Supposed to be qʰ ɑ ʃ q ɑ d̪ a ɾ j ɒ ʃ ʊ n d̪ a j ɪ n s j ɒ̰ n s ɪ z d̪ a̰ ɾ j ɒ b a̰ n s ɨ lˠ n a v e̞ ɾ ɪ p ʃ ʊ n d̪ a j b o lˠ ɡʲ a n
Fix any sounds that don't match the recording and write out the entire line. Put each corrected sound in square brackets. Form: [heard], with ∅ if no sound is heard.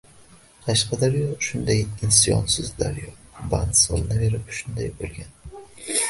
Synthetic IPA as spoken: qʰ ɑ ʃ q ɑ d̪ a ɾ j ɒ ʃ ʊ n d̪ a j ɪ n s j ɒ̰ n s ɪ z d̪ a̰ ɾ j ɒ b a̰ n s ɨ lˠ n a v e̞ ɾ ɪ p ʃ ʊ n d̪ a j b o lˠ ɡʲ a n